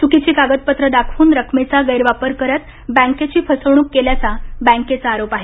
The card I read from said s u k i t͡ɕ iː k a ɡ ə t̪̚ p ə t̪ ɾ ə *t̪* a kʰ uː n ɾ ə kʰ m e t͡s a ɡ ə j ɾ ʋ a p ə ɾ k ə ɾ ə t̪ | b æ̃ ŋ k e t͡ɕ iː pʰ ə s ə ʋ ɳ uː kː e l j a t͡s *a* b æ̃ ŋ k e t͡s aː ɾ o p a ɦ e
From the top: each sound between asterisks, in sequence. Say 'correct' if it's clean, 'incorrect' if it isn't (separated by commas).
incorrect, correct